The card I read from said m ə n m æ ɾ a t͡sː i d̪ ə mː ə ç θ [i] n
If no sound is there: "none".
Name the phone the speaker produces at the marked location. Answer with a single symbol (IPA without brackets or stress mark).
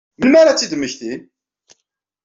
i